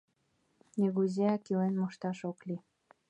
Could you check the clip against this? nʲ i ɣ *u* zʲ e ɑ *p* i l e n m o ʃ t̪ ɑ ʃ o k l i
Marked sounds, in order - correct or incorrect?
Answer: correct, incorrect: k

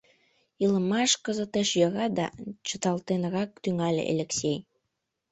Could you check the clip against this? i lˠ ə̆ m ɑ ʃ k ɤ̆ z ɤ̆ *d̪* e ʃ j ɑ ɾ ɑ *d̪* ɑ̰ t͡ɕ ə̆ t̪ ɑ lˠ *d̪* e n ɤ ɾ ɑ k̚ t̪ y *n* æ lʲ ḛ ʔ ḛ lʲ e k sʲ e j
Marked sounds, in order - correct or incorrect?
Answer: incorrect: t̪, correct, incorrect: t̪, incorrect: ŋ

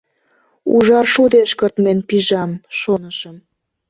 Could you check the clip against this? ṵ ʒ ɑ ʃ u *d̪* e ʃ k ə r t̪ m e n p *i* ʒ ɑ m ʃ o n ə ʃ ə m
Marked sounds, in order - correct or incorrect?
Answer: correct, correct

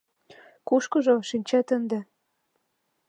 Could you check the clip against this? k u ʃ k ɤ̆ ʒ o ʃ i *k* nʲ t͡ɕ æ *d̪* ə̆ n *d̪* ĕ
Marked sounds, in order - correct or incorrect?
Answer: incorrect: none, incorrect: t̪, correct

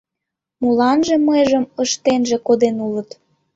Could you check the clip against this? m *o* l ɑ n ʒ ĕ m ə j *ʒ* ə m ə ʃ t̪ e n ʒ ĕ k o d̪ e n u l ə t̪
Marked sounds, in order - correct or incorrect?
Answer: incorrect: u, correct

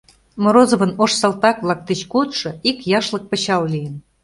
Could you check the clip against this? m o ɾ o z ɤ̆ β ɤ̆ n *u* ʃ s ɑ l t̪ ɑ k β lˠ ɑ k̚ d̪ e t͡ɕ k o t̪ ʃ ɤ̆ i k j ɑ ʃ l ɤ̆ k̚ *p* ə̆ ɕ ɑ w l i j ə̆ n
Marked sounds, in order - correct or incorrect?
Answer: incorrect: o, correct

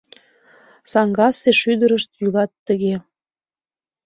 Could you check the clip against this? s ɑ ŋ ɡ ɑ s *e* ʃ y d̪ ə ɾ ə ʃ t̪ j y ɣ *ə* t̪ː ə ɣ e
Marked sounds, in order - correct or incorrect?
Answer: correct, incorrect: ɑ

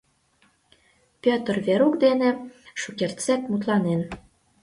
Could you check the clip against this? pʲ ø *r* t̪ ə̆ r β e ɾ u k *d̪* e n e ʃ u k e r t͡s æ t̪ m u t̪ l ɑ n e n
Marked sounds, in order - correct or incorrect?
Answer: incorrect: none, correct

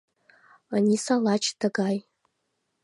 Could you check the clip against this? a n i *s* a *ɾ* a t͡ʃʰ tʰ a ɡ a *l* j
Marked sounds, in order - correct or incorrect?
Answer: correct, incorrect: l, incorrect: none

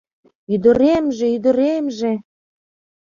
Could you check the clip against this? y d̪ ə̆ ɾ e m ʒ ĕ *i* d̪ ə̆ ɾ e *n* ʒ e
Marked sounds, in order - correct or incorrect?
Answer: incorrect: y, incorrect: m

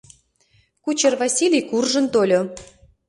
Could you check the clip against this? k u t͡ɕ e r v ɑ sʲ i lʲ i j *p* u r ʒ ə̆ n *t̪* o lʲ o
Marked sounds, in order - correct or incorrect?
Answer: incorrect: k, correct

